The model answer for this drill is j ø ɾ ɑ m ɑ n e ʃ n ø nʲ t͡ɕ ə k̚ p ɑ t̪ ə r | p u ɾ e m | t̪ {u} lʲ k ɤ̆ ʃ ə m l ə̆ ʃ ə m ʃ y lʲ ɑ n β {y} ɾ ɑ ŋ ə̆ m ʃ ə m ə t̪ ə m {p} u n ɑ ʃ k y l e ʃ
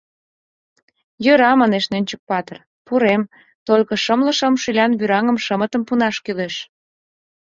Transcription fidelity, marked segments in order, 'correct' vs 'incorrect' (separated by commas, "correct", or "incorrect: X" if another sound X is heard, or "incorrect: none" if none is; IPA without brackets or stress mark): incorrect: o, correct, correct